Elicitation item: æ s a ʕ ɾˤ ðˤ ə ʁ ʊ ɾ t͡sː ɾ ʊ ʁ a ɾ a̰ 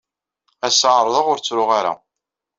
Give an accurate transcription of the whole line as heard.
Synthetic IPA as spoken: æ s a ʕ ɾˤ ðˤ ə ʁ ʊ ɾ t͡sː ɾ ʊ ʁ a ɾ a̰

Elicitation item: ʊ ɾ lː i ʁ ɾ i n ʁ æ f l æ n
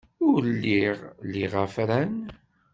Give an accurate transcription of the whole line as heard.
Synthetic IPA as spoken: ʊ ɾ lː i ʁ l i ʁ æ f ɾ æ n

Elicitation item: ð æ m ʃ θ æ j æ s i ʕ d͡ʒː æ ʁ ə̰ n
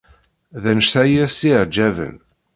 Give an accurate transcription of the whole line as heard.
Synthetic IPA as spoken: ð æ n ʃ θ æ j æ s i ʕ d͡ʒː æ v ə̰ n

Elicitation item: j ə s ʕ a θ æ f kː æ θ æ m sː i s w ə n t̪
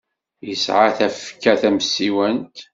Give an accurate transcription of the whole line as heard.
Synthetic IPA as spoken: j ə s ʕ a θ æ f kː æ θ æ m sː i w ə n t̪

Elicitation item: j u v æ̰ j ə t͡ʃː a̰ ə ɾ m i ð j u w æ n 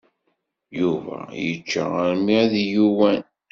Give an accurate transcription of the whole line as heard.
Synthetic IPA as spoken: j u v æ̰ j ə t͡ʃː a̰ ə ɾ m i ð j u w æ n

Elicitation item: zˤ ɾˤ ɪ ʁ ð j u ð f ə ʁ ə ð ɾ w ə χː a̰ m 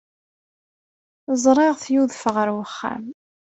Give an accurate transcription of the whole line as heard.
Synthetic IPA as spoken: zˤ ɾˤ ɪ ʁ θ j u ð f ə ʁ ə ɾ w ə χː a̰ m

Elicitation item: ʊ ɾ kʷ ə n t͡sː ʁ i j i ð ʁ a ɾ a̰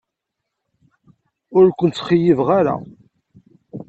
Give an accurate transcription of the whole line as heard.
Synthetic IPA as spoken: ʊ ɾ kʷ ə n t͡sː χ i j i v ʁ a ɾ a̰

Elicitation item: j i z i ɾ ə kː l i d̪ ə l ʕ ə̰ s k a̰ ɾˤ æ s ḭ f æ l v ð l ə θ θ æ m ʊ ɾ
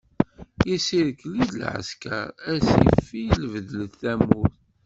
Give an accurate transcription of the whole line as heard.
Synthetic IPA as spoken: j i s i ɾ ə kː l i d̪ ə l ʕ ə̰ s k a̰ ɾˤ æ s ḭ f i l v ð l ə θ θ æ m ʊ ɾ

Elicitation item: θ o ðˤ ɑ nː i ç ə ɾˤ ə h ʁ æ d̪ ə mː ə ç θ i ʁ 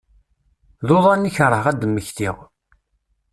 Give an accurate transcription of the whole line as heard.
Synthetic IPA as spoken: ð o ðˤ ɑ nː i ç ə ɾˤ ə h ʁ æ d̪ ə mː ə ç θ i ʁ

